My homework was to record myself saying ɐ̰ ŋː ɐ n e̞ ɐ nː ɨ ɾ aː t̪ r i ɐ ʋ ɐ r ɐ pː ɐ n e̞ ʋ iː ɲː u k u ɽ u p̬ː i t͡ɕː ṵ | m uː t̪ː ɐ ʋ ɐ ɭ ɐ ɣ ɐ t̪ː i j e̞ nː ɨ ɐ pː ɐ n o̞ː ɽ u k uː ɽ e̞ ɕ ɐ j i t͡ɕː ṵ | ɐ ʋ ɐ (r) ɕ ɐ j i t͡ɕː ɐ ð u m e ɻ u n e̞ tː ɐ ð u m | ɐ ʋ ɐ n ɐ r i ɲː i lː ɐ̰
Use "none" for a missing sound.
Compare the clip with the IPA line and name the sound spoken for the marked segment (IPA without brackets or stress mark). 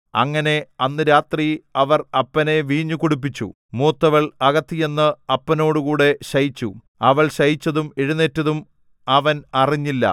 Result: ɭ